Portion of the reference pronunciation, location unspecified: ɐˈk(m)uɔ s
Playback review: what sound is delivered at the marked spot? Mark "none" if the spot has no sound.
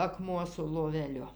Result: m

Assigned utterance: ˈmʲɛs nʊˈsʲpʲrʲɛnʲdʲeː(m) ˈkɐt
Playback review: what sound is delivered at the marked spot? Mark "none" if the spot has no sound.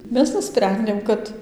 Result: m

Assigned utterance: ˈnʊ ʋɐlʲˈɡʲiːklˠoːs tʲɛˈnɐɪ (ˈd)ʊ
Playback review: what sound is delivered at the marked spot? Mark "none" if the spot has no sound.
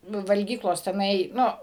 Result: n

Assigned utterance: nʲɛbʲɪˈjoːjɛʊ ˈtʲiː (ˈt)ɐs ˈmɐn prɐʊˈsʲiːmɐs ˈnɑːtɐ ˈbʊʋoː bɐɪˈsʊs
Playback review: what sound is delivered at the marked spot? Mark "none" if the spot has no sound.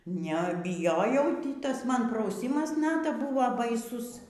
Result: t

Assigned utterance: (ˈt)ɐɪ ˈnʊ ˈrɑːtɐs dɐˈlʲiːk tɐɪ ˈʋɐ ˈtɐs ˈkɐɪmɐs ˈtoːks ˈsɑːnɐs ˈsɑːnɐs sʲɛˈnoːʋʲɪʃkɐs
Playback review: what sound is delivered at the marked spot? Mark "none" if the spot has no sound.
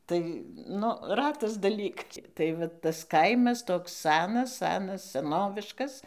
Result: t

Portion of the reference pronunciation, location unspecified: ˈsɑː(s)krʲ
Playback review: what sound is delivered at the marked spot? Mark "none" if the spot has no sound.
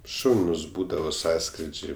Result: s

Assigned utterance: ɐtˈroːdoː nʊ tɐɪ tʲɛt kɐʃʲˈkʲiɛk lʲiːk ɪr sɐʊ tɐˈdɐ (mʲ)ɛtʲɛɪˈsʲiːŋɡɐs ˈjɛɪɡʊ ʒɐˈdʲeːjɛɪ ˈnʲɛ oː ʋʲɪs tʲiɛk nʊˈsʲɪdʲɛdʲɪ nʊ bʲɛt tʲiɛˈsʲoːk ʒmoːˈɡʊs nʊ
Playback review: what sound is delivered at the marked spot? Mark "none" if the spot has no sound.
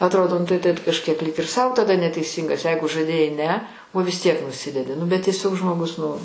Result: nʲ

